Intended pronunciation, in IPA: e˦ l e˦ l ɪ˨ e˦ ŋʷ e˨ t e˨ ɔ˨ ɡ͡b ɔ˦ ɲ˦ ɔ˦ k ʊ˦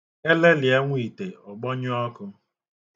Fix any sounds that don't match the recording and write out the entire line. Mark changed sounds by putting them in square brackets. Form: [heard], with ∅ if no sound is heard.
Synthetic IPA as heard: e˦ l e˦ l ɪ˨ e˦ ŋʷ [i˨] t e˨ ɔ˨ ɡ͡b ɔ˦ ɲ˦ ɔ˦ k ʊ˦

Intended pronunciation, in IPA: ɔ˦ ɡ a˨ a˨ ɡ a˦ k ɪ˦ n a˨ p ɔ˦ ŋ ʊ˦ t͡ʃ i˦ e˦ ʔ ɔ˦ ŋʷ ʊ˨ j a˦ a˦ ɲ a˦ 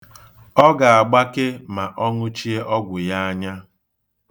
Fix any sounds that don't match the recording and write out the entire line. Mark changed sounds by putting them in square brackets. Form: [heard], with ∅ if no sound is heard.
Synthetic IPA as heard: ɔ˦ ɡ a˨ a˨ [ɡ͡b] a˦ k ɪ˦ [m] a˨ [ʔ] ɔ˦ ŋ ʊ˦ t͡ʃ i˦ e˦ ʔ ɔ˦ [ɡʷ] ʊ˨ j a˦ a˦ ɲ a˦

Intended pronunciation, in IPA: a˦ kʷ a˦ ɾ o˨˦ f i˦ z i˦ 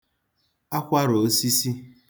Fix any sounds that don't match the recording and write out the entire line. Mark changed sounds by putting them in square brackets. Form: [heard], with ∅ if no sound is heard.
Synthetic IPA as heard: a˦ kʷ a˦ ɾ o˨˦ [s] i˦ [s] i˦

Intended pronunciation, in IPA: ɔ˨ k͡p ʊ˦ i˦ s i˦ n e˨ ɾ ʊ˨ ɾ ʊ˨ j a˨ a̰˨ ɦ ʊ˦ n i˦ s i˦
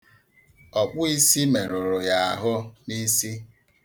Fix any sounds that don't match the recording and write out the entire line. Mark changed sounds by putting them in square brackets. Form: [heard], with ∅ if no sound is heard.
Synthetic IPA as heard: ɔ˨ k͡p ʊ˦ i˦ s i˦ [m] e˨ ɾ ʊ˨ ɾ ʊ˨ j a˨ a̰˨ ɦ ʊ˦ n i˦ s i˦

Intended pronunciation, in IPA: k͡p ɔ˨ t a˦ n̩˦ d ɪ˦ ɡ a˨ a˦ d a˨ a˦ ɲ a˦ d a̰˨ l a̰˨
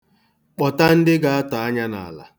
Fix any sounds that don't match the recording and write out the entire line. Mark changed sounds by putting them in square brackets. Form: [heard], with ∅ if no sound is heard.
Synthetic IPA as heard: k͡p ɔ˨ t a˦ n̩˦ d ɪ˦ ɡ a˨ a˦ [t] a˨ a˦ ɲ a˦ [n] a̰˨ l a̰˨

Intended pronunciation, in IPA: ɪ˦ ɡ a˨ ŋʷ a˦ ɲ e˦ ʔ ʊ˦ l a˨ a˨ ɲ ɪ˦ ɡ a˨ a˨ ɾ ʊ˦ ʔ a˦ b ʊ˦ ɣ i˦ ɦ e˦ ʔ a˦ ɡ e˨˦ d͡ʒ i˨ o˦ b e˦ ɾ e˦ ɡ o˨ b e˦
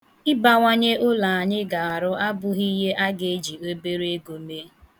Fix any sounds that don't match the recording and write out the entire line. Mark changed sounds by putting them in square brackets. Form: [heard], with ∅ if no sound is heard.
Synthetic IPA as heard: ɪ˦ [b] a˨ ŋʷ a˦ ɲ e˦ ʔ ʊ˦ l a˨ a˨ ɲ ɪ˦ ɡ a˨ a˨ ɾ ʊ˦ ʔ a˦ b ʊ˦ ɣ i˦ ɦ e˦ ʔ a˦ ɡ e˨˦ d͡ʒ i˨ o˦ b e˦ ɾ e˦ ɡ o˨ [m] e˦

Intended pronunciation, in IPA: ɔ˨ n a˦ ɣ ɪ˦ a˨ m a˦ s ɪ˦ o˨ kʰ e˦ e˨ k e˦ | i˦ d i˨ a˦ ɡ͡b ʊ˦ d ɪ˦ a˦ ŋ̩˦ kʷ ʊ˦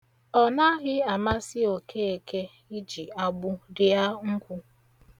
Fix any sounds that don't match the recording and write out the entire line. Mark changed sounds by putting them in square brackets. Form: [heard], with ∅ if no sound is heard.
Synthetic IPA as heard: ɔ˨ n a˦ ɣ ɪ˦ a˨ m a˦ s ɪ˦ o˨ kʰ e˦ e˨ k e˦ | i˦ [d͡ʒ] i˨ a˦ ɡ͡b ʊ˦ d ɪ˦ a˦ ŋ̩˦ kʷ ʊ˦

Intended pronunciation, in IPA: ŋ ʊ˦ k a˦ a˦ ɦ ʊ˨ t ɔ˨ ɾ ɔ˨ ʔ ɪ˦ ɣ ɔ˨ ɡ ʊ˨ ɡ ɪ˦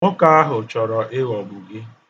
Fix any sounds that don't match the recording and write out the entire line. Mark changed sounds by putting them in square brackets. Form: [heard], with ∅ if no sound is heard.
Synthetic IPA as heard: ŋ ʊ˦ k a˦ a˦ ɦ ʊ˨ [t͡ʃ] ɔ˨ ɾ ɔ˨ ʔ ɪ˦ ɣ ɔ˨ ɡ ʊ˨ ɡ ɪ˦

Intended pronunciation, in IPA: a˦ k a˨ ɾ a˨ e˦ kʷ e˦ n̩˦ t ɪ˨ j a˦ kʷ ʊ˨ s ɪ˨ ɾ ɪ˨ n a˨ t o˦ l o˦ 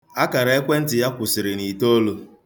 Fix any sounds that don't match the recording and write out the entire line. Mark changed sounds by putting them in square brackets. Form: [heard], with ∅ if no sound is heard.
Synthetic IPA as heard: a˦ k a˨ ɾ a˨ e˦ kʷ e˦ n̩˦ t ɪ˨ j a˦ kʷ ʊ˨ s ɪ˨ ɾ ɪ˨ n [i˨] t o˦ l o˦

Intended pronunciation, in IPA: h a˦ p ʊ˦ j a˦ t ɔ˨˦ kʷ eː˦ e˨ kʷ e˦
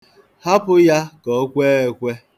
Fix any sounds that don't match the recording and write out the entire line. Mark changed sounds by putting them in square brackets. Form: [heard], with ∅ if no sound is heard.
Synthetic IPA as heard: h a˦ p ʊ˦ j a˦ [k] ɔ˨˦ kʷ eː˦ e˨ kʷ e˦

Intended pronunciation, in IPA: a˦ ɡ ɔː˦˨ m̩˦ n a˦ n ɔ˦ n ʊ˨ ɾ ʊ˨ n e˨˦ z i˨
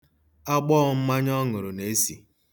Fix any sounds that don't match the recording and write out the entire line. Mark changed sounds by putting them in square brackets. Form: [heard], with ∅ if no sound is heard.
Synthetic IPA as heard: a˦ [ɡ͡b] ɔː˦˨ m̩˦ [m] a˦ [ɲ] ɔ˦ [ŋ] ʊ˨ ɾ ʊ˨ n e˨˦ [s] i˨

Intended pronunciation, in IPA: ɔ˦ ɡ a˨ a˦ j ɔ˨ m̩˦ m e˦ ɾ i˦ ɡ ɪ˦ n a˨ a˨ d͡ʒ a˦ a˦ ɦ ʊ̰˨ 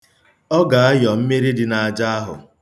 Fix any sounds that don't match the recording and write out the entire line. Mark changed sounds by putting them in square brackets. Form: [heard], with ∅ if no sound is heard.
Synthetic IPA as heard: ɔ˦ ɡ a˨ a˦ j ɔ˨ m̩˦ m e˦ ɾ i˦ [d] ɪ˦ n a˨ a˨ d͡ʒ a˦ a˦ ɦ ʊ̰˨

